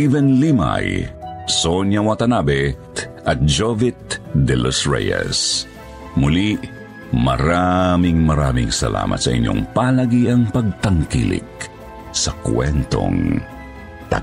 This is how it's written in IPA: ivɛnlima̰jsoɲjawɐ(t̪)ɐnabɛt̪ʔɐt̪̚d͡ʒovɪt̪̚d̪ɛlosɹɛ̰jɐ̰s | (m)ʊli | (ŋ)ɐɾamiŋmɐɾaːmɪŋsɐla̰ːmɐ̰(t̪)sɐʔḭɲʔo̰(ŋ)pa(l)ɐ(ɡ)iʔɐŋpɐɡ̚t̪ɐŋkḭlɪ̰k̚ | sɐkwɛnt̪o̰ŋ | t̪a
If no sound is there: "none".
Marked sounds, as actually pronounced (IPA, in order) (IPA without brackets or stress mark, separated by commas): t̪, m, m, t̪, ŋ, l, ɡ